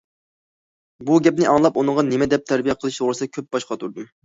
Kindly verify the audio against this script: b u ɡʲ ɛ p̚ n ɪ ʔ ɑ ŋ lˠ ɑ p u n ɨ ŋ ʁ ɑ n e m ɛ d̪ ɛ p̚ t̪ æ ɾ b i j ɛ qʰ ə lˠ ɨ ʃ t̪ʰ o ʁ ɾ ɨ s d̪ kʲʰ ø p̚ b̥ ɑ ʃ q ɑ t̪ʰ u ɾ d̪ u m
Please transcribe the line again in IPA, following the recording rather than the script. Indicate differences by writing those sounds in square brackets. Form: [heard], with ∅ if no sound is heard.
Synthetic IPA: b u ɡʲ ɛ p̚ n ɪ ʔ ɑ ŋ lˠ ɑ p u n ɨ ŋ ʁ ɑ n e m ɛ d̪ ɛ p̚ [t̪ʰ] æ ɾ b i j ɛ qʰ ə lˠ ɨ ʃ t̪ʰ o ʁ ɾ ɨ s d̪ kʲʰ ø p̚ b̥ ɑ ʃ q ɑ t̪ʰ u ɾ d̪ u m